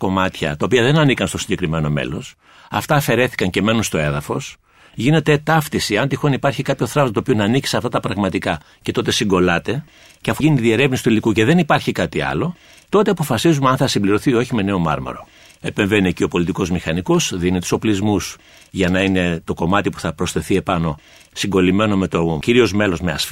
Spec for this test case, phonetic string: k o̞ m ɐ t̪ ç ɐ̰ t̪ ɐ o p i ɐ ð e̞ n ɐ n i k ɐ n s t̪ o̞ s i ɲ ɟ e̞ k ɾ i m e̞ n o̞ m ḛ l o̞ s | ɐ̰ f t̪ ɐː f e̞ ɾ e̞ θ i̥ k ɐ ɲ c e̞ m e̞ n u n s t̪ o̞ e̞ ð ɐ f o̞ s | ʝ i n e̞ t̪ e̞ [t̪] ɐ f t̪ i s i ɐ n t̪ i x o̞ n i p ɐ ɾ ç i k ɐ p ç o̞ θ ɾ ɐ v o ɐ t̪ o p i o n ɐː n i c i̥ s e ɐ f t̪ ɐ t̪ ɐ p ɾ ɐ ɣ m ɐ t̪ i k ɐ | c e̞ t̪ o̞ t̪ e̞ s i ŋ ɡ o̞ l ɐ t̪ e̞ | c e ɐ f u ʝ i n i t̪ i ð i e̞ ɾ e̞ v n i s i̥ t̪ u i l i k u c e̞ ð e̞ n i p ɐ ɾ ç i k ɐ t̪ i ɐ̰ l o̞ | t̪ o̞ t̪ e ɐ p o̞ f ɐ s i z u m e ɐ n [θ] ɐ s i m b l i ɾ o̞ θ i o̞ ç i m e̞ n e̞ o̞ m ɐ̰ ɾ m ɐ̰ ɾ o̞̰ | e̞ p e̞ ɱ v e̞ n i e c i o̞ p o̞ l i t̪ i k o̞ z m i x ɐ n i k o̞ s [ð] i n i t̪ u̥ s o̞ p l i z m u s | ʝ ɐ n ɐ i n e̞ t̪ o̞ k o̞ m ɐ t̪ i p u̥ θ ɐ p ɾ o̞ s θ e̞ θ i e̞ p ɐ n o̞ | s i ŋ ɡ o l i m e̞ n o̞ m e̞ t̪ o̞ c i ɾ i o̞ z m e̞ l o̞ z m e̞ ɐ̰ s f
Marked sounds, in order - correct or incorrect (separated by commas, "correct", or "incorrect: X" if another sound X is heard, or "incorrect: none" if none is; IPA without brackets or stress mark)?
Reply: correct, correct, correct